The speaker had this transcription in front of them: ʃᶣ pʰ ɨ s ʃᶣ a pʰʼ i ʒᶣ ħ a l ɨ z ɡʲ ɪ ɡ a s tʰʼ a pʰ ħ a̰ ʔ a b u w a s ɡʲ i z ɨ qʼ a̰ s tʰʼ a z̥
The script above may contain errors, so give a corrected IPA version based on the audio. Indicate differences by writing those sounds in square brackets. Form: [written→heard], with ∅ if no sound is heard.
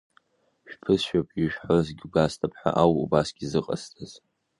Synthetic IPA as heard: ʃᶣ pʰ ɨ s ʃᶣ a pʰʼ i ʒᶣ ħ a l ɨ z ɡʲ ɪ ɡ a s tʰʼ a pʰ ħ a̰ ʔ a [b→w] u [w→b] a s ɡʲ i z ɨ qʼ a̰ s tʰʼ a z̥